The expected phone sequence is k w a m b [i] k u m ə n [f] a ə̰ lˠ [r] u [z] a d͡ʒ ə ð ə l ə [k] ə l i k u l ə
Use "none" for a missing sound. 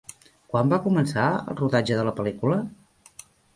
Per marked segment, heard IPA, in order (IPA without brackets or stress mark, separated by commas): a, s, r, ð, p